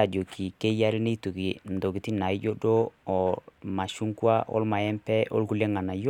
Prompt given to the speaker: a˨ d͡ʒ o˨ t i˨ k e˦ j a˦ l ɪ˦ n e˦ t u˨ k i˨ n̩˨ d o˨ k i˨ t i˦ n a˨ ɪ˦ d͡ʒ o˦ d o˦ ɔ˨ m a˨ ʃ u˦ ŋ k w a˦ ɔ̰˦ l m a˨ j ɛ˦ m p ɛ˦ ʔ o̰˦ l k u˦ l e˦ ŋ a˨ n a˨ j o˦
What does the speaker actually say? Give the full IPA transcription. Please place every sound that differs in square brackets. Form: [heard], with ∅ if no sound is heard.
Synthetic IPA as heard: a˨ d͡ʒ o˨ [k] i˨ k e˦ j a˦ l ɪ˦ n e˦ t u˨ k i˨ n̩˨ d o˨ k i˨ t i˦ n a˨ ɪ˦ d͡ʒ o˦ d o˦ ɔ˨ m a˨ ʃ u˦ ŋ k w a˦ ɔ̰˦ l m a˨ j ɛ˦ m p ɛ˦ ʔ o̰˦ l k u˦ l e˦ ŋ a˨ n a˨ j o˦

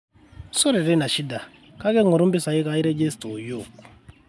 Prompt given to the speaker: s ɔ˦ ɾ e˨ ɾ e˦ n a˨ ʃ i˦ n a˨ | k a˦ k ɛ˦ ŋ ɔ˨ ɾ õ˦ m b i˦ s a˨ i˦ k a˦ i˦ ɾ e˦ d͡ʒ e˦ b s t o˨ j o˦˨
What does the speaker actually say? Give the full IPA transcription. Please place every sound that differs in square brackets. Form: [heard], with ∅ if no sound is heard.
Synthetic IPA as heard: s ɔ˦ ɾ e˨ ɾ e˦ n a˨ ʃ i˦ [d] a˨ | k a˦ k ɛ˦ ŋ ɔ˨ ɾ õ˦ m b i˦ s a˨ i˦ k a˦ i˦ ɾ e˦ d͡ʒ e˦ [∅] s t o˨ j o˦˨

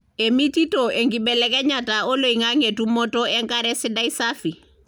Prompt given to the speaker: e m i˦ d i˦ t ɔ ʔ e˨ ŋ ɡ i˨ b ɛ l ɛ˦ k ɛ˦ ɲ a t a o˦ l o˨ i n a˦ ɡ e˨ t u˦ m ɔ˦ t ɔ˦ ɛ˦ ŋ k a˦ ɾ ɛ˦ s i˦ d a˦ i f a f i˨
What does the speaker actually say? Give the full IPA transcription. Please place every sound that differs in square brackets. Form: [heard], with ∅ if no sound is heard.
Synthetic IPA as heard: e m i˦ [t] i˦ t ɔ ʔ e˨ ŋ ɡ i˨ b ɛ l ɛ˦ k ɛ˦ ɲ a t a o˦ l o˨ i [ŋ] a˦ [ŋ] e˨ t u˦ m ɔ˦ t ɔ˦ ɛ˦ ŋ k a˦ ɾ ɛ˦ s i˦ d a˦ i [s] a f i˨

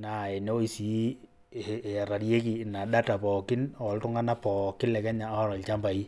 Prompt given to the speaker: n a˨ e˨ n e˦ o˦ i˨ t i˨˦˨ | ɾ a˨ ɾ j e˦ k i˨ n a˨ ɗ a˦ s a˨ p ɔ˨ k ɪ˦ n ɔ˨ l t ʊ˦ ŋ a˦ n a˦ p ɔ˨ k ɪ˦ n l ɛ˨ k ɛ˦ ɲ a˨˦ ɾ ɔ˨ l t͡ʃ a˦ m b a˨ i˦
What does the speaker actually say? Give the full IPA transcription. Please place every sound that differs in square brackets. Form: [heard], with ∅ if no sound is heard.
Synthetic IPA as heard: n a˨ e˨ n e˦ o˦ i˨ [s] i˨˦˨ | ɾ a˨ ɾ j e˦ k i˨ n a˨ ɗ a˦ [t] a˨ p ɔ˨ k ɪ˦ n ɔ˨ l t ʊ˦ ŋ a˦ n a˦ p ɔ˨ k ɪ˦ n l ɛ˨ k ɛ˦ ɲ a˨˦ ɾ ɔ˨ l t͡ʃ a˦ m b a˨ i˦

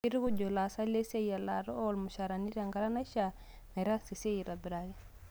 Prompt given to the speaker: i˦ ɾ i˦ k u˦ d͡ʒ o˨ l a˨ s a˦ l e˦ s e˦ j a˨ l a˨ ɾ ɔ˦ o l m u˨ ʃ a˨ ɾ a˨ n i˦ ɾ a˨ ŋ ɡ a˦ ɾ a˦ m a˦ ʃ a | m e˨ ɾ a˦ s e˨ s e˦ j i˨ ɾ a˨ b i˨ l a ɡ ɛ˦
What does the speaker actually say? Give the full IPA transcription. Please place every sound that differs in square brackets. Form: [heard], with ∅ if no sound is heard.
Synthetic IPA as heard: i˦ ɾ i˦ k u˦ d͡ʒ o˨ l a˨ s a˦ l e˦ s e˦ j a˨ l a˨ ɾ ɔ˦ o l m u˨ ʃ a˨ ɾ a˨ n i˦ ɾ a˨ ŋ ɡ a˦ ɾ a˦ [n] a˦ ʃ a | m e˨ ɾ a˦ s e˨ s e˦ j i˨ ɾ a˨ b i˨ [ɾ] a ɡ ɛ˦

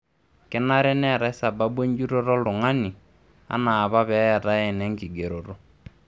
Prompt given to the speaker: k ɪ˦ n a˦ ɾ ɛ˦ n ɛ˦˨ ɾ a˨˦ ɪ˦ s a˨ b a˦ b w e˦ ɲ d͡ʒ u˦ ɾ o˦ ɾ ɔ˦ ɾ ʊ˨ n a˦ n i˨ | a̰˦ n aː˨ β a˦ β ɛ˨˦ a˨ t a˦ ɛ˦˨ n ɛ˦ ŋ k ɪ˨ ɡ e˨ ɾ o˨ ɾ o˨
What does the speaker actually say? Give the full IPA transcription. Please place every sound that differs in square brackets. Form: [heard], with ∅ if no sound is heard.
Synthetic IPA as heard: k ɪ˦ n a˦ ɾ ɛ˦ n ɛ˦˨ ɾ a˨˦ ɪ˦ s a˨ b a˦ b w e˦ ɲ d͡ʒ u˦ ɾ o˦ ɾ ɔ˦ [l] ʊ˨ [ŋ] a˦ n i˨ | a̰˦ n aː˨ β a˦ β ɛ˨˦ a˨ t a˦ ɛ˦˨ n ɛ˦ ŋ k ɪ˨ ɡ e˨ ɾ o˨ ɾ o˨

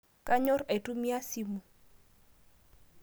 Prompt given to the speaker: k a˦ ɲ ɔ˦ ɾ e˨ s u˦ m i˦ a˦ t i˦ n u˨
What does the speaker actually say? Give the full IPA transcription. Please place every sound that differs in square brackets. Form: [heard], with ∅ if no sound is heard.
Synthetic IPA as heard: k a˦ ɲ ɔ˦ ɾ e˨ [t] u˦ m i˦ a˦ [s] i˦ [m] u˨

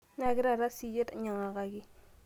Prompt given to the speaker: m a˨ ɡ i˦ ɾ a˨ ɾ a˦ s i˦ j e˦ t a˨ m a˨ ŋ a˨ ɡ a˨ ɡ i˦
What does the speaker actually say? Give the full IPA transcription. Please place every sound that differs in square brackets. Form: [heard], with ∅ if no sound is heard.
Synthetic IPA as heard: [n] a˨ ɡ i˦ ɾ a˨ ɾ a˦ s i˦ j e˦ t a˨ [ɲ] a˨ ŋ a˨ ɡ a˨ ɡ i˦

